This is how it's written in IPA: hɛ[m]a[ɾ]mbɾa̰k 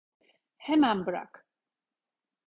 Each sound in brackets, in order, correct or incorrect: correct, incorrect: none

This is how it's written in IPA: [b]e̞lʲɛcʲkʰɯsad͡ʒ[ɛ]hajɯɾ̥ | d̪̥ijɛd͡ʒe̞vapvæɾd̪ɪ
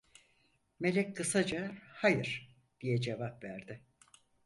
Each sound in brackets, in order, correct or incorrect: incorrect: m, incorrect: a

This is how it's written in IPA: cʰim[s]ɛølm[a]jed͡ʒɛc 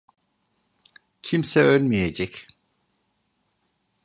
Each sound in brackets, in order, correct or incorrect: correct, incorrect: i

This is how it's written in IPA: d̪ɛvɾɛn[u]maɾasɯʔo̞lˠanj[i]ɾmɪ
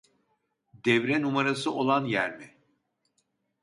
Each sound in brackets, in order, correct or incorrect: correct, incorrect: æ

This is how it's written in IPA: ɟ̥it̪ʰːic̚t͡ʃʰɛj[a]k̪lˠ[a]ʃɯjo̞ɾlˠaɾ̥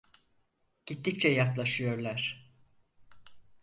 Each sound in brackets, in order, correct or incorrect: correct, correct

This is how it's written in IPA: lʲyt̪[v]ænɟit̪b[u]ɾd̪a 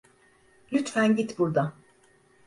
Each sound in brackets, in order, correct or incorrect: incorrect: f, correct

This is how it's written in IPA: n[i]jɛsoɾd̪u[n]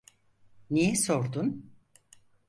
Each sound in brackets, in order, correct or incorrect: correct, correct

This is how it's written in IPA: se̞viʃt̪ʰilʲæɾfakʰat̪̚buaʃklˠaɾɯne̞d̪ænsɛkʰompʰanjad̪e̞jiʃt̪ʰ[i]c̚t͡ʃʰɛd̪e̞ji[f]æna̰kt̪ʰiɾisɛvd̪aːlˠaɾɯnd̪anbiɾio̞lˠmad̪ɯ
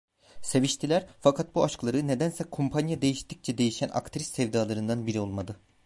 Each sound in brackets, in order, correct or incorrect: correct, incorrect: ʃ

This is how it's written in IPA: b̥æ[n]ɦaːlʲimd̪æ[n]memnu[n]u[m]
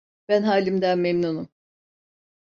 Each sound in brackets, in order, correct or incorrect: correct, correct, correct, correct

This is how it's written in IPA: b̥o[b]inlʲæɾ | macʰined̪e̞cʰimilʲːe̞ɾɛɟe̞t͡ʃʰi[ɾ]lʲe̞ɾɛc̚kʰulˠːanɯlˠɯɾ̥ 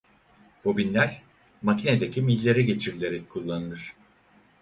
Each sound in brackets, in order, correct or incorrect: correct, correct

